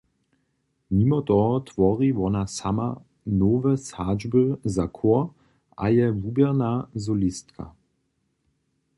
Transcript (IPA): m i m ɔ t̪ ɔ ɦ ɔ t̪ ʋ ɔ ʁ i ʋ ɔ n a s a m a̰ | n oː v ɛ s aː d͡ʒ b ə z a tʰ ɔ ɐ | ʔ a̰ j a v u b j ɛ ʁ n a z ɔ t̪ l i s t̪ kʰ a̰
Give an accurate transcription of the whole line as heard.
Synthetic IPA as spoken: m i m ɔ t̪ ɔ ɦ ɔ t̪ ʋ ɔ ʁ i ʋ ɔ n a s a m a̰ | n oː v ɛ s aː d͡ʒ b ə z a kʰ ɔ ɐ | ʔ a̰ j ɛ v u b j ɛ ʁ n a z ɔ l i s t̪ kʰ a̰